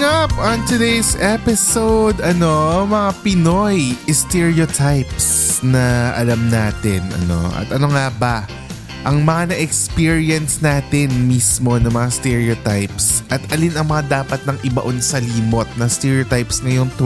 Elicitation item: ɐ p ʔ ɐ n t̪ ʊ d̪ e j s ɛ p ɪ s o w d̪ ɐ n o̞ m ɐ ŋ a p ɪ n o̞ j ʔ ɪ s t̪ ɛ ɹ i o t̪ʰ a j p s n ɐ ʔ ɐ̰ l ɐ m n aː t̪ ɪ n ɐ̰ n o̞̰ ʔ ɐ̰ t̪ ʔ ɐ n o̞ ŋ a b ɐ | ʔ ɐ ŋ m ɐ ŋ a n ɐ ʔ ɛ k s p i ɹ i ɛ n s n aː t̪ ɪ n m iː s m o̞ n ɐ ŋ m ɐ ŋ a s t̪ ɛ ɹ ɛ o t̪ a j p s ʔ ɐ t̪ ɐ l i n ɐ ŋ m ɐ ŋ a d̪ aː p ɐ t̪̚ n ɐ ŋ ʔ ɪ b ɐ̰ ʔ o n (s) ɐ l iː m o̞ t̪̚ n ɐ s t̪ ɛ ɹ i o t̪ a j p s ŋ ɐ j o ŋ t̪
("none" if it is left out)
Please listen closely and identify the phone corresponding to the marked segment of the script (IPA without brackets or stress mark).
s